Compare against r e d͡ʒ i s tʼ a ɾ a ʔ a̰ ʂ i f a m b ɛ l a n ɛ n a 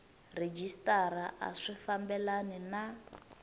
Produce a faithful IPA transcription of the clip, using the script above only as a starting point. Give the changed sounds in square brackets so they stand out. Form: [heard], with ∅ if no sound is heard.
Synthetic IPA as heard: r e d͡ʒ i s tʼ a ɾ a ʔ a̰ ʂ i f a m b ɛ l a n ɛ n a